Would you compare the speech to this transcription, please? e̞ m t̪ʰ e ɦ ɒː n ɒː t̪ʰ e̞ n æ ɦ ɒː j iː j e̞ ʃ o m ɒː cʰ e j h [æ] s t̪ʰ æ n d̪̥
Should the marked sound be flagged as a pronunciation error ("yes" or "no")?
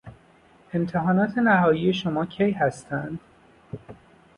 no